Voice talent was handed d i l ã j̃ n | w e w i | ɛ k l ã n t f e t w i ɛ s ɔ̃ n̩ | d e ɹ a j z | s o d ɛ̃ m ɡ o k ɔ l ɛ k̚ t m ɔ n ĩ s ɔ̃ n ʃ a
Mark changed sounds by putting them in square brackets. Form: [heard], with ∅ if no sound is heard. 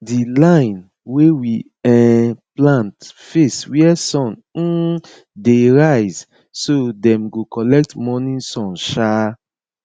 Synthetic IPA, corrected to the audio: d i l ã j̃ n | w e w i | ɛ [p] l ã n t f e [s] w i ɛ s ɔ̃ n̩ | d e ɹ a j z | s o d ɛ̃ m ɡ o k ɔ l ɛ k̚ t m ɔ n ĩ s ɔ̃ n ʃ a